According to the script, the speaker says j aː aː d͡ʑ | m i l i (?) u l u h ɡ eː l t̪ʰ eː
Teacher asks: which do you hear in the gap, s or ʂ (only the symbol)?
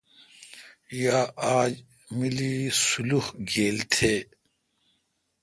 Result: s